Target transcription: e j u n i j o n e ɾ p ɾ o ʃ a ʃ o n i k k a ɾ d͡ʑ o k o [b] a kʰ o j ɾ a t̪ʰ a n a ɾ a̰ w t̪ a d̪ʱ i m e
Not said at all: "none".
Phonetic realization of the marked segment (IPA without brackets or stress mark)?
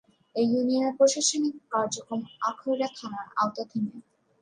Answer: m